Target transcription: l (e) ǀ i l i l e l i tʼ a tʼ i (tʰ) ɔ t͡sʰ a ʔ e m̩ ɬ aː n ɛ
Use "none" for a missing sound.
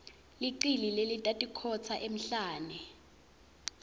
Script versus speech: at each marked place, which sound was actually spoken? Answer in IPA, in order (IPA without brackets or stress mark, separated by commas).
i, kʰ